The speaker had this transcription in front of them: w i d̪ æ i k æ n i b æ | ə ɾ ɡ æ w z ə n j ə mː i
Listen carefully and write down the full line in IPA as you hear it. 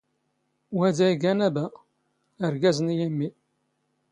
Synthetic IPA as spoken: w æ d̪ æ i ɡ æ n æ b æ | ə ɾ ɡ æ z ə n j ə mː i